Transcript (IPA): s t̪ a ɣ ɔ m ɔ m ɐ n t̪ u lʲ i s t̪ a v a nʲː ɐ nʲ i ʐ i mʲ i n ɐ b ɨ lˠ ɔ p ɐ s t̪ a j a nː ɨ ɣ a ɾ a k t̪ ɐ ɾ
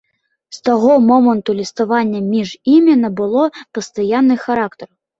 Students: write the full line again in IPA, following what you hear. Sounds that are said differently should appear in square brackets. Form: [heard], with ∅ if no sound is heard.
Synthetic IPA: s t̪ a ɣ ɔ m ɔ m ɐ n t̪ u lʲ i s t̪ a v a nʲː ɐ [mʲ] i ʐ i mʲ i n ɐ b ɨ lˠ ɔ p ɐ s t̪ a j a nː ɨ [x] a ɾ a k t̪ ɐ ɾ